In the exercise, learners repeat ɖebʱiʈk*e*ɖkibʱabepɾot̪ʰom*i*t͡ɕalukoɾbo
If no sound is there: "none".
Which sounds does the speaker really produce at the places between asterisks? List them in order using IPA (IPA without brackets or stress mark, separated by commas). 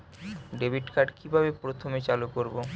a, e